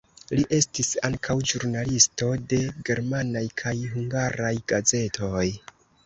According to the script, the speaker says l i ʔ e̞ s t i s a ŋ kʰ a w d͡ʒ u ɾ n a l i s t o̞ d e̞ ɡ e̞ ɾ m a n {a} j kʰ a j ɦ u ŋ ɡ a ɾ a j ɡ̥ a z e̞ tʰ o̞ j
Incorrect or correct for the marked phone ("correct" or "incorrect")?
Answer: correct